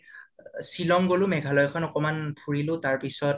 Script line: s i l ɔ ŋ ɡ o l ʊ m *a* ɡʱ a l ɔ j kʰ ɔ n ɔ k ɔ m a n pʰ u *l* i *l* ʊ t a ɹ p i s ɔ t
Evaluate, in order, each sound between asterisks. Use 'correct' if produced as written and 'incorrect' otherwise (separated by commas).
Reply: incorrect, incorrect, correct